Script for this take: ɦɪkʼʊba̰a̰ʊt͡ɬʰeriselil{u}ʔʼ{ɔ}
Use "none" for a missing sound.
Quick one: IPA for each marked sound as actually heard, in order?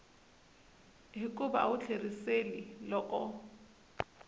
ɔ, ɔ

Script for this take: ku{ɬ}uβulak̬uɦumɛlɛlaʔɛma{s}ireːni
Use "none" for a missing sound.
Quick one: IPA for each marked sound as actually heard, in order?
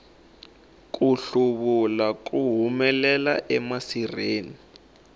ɬ, s

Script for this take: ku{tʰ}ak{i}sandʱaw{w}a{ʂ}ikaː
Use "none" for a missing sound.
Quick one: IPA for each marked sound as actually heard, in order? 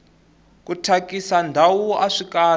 tʰ, i, u, ʂ

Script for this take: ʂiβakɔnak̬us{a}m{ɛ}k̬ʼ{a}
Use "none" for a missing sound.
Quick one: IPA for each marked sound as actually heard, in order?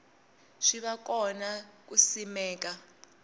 i, ɛː, a

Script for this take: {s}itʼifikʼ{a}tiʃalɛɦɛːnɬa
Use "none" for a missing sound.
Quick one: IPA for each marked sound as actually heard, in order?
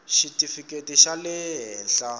ʃ, e

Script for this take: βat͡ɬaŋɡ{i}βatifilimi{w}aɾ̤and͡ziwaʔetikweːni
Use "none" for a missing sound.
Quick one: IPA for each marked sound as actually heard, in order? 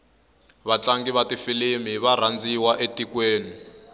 i, β

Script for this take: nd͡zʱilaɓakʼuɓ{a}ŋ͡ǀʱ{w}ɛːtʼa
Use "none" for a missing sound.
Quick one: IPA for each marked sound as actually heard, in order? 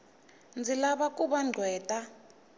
a, w

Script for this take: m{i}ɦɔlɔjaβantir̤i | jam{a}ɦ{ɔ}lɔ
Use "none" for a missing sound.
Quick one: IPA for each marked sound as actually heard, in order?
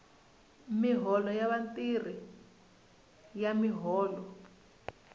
i, i, ɔː

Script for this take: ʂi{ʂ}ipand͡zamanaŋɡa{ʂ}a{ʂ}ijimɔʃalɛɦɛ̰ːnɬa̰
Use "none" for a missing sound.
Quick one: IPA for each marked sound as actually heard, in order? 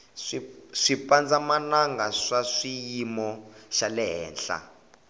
ʂ, ʂ, ʂ

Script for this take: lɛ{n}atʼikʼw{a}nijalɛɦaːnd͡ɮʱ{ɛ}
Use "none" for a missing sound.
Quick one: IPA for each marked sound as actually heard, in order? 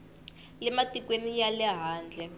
m, e, ɛ

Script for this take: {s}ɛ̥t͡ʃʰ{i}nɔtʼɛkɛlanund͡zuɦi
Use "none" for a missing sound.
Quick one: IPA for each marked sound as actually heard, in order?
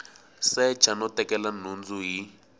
s, a

